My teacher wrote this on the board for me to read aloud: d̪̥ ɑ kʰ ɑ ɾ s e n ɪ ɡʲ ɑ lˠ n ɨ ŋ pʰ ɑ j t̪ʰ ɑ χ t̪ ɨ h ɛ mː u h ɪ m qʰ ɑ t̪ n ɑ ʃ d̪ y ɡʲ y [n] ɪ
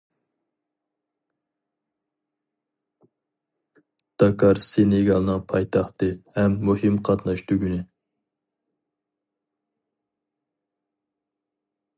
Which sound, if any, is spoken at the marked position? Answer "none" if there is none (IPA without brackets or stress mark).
n